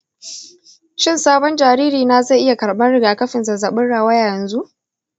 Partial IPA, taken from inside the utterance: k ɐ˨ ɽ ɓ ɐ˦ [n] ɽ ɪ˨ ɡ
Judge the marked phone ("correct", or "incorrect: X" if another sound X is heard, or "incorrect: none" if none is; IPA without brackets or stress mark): correct